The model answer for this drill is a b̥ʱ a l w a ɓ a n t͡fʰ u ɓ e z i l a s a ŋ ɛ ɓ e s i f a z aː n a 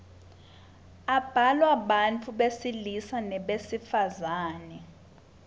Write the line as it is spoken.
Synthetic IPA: a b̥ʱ a l w a ɓ a n t͡fʰ u ɓ e s i l i s a n ɛ ɓ e s i f a z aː n ɛ